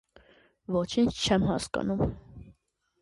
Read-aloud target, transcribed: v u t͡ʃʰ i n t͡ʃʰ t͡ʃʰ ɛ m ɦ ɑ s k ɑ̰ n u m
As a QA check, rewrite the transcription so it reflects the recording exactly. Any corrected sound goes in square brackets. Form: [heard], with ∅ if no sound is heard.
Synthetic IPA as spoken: v [ɔ] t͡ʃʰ i n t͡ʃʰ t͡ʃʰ ɛ m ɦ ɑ s k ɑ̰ n u m